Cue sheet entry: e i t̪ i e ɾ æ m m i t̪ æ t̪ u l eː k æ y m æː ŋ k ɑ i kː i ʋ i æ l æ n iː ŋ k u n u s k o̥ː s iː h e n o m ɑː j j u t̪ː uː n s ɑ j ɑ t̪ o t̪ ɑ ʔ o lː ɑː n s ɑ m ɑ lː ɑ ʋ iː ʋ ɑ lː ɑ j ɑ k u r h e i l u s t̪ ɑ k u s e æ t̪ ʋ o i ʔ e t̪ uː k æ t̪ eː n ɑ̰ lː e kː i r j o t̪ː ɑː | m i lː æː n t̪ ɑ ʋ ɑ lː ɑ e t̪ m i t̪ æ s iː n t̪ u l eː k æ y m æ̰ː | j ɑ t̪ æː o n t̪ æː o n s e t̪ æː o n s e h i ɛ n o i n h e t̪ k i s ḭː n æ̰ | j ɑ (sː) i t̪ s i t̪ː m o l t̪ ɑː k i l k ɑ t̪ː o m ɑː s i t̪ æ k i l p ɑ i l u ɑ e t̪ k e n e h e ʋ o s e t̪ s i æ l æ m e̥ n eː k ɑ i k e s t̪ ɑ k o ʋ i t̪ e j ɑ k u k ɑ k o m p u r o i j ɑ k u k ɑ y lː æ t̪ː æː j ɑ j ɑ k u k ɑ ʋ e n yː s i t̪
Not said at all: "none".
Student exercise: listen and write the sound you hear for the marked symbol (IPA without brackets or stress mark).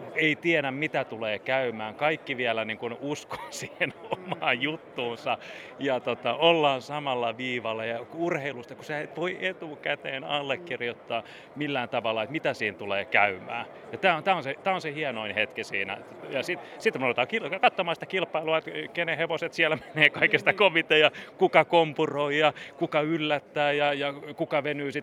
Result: s